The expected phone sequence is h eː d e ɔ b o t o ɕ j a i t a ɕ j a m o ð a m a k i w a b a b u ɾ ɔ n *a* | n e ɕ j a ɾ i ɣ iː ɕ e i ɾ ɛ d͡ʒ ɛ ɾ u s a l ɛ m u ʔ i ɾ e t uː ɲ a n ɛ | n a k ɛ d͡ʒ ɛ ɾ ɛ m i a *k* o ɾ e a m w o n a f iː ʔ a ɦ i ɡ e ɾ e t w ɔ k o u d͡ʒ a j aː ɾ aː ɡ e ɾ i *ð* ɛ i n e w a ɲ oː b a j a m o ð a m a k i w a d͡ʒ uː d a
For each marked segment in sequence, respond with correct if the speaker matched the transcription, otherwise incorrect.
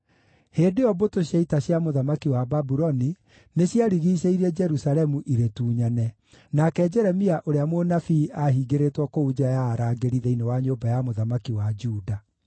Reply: incorrect: i, incorrect: ʔ, correct

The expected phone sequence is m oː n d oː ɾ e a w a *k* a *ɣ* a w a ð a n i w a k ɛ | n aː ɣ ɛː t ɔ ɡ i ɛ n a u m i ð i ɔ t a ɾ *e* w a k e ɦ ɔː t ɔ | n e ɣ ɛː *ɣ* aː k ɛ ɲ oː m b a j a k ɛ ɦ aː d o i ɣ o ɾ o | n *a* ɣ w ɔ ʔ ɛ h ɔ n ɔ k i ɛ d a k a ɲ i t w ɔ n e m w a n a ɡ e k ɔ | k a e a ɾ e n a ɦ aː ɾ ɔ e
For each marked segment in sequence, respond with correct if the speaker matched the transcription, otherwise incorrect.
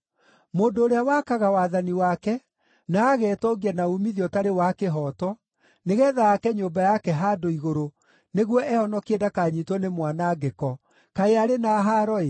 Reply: correct, correct, correct, incorrect: ð, incorrect: e

